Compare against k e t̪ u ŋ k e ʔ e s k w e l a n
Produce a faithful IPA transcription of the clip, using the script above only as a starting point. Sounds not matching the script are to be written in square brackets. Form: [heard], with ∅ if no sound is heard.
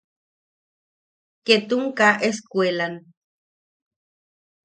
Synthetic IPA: k e t̪ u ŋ k [a] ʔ e s k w e l a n